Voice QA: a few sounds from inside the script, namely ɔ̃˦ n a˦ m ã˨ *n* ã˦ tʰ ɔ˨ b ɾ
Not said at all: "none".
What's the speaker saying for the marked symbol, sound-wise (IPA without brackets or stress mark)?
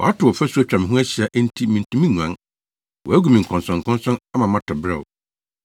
m